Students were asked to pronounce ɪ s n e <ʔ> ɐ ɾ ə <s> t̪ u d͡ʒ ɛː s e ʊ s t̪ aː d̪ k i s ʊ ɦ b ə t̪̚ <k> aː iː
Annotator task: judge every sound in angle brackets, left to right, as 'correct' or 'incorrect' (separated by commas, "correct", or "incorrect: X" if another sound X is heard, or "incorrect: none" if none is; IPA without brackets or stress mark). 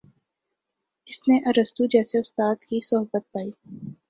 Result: correct, correct, incorrect: p